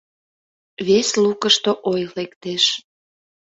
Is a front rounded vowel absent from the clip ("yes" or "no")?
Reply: yes